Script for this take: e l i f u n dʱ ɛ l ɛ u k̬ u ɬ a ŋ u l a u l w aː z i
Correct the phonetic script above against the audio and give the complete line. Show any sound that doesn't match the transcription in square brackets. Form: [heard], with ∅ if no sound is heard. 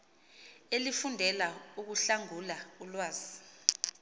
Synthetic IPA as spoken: e l i f u n dʱ ɛ l [a] u k̬ u ɬ a ŋ u l a u l w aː z i

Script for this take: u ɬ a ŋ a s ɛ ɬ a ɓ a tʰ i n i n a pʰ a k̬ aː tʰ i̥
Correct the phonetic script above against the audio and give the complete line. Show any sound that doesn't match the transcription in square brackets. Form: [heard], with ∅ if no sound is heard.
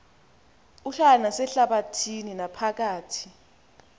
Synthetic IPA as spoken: u ɬ a [n] a s ɛ ɬ a ɓ a tʰ i n i n a pʰ a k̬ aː tʰ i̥

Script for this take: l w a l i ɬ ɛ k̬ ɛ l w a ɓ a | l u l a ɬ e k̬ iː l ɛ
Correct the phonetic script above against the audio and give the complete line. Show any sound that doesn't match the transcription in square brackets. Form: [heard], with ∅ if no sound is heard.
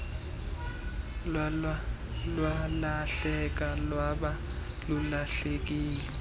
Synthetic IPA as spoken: l w a l [a] ɬ ɛ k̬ [a] l w a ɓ a | l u l a ɬ e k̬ iː l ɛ

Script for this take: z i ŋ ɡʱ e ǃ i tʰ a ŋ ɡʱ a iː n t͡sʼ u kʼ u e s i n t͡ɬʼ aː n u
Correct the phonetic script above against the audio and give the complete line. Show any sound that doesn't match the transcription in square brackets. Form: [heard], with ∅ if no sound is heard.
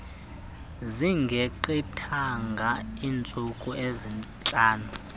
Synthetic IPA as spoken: z i ŋ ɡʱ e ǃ i tʰ a ŋ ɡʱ a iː n t͡sʼ u kʼ u e [z] i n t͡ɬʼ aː n u

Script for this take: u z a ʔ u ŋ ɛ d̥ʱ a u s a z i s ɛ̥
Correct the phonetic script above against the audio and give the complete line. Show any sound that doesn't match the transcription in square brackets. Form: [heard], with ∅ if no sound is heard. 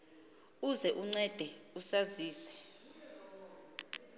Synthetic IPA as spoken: u z [ɛ] ʔ u [ŋ͡ǀ] ɛ d̥ʱ [ɛ] u s a z [iː] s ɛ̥

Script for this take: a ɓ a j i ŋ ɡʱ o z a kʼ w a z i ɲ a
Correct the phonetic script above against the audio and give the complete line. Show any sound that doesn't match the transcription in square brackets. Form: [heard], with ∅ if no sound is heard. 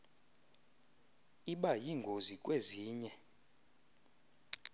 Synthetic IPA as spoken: [i] ɓ a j i ŋ ɡʱ o z [i] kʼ w [e] z [iː] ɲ [ɛ]

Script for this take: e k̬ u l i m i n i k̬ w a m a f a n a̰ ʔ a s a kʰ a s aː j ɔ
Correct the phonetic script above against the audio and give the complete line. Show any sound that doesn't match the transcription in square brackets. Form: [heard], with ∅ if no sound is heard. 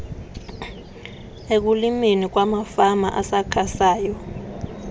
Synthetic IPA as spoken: e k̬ u l i m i n i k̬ w a m a f a [m] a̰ ʔ a s a kʰ a s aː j ɔ

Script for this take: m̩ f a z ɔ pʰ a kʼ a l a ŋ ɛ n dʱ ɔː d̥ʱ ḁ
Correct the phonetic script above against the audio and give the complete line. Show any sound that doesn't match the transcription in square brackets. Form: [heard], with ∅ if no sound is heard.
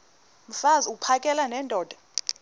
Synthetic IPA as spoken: m̩ f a z [u] pʰ a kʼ [ɛ] l a [n] ɛ n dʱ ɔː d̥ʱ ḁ

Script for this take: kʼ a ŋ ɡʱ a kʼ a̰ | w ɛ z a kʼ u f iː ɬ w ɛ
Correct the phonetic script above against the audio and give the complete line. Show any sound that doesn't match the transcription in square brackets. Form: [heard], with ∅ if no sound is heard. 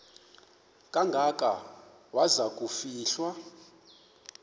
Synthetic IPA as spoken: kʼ a ŋ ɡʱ a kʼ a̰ | w [a] z a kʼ u f iː ɬ w [a]

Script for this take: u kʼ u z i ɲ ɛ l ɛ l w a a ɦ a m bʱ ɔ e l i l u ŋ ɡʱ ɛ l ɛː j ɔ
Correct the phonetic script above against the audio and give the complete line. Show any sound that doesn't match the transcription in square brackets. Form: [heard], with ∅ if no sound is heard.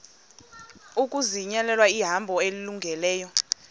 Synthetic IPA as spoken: u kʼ u z i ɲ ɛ l ɛ l w a [i] ɦ a m bʱ ɔ e l i l u ŋ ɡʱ ɛ l ɛː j ɔ

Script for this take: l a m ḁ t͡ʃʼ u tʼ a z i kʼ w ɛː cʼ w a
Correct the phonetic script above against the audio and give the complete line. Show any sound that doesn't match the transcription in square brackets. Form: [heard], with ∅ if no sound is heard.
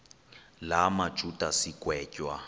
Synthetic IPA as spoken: l a m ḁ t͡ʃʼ u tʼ a [s] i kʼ w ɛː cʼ w a

